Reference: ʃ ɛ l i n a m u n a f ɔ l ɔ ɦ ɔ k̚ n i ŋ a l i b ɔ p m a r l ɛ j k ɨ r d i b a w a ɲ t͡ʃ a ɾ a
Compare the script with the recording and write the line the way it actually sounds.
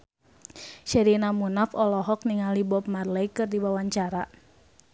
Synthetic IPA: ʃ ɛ ɾ i n a m u n a f ɔ l ɔ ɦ ɔ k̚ n i ŋ a l i b ɔ p m a r l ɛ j k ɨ r d i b a w a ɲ t͡ʃ a ɾ a

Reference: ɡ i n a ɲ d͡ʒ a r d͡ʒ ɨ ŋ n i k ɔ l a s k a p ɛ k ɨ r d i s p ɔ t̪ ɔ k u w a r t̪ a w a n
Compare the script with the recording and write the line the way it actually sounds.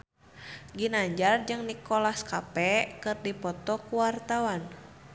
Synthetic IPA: ɡ i n a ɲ d͡ʒ a r d͡ʒ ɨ ŋ n i k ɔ l a s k a p ɛ k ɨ r d i p ɔ t̪ ɔ k u w a r t̪ a w a n

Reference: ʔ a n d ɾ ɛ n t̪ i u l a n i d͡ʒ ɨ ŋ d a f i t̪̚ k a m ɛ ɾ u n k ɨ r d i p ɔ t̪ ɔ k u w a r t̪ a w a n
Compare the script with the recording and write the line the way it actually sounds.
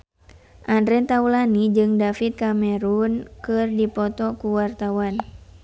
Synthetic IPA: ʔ a n d ɾ ɛ n t̪ a u l a n i d͡ʒ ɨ ŋ d a f i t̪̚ k a m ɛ ɾ u n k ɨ r d i p ɔ t̪ ɔ k u w a r t̪ a w a n

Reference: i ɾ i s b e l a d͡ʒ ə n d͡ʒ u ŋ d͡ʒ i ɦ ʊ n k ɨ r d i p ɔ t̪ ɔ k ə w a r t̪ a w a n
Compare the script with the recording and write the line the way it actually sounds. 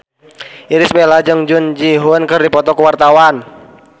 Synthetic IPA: i ɾ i s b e l a d͡ʒ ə ŋ d͡ʒ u n d͡ʒ i ɦ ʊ n k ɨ r d i p ɔ t̪ ɔ k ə w a r t̪ a w a n

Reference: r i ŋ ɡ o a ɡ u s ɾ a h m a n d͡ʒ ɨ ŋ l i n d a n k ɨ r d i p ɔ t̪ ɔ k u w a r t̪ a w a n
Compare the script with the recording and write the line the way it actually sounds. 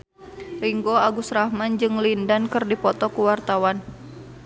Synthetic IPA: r i ŋ ɡ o a ɡ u s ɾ a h m a n d͡ʒ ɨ ŋ l i n d a n k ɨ r d i p ɔ t̪ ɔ k u w a r t̪ a w a n

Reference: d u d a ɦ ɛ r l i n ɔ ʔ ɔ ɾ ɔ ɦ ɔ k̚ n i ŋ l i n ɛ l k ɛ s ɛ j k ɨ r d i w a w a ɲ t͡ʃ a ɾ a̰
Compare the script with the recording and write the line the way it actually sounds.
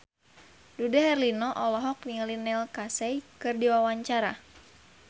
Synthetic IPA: d u d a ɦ ɛ r l i n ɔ ʔ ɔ l ɔ ɦ ɔ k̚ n i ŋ l i n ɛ l k a s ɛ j k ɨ r d i w a w a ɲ t͡ʃ a ɾ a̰

